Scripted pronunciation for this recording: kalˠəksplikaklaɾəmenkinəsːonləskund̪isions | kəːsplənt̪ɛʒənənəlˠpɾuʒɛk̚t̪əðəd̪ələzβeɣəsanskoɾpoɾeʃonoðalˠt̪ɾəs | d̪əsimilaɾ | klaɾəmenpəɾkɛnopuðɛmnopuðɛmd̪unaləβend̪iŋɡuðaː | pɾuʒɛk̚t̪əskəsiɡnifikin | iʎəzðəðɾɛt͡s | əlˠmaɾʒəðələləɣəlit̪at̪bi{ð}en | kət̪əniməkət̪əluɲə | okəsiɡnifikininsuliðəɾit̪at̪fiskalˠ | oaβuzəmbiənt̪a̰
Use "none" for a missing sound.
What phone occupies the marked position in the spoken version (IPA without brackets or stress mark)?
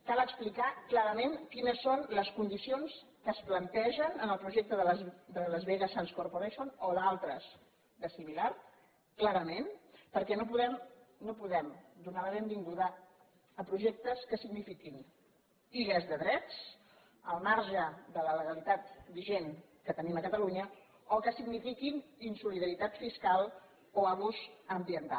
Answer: ʒ